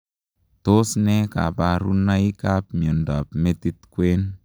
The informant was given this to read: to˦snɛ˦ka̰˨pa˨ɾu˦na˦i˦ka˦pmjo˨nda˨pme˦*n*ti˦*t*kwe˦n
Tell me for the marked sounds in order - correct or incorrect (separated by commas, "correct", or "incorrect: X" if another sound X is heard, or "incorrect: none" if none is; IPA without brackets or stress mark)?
incorrect: none, correct